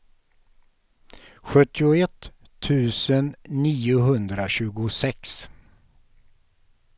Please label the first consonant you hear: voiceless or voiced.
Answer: voiceless